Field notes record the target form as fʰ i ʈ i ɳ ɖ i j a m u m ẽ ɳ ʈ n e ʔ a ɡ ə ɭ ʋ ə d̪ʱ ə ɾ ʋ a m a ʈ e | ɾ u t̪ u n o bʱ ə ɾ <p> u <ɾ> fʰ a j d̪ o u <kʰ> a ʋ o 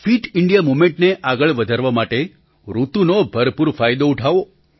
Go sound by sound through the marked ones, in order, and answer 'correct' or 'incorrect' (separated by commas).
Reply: correct, correct, incorrect